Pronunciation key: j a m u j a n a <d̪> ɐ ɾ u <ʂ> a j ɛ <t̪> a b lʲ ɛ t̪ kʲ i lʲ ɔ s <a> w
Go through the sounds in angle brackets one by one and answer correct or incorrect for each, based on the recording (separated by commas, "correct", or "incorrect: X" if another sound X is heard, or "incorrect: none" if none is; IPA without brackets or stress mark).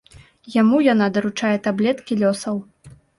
correct, incorrect: t͡ʂ, correct, incorrect: ɐ